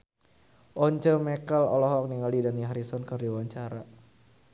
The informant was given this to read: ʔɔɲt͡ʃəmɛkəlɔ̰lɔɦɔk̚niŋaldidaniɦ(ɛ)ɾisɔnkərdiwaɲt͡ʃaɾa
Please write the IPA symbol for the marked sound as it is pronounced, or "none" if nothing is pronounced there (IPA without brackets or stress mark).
a